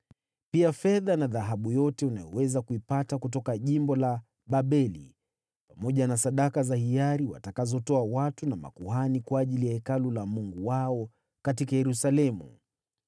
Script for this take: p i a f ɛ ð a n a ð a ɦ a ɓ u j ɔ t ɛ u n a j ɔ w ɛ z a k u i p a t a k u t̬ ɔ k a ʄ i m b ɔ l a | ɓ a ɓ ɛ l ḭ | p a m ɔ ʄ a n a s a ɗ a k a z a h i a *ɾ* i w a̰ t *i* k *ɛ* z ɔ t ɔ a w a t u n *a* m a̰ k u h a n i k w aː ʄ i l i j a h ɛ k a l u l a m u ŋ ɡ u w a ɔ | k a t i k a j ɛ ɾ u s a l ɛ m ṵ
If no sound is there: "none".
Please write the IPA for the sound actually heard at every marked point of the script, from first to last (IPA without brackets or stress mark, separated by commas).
ɾ, a, a, a